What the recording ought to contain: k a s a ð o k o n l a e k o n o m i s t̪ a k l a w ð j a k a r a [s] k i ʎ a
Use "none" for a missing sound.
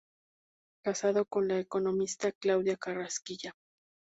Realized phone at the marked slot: s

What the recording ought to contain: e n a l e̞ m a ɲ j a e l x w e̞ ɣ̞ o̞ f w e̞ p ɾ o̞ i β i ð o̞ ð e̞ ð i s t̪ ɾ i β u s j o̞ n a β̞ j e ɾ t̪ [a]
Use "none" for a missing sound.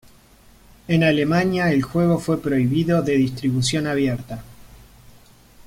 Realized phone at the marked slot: a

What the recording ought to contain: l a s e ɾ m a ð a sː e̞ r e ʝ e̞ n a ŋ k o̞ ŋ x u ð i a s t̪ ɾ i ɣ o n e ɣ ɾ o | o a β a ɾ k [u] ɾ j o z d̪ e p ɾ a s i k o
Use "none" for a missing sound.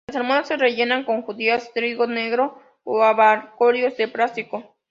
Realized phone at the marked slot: o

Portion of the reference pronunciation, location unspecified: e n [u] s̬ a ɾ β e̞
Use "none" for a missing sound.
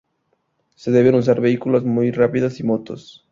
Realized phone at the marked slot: u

